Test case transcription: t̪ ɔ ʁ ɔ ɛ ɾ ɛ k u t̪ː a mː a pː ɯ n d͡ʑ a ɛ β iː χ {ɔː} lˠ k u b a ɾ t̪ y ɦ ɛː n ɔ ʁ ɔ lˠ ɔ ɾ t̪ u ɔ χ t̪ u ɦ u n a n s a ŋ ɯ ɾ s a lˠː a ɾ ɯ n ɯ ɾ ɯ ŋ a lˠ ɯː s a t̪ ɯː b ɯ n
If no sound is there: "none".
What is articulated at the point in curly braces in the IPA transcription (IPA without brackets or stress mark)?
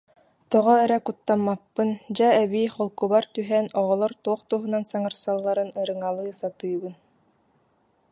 ɔ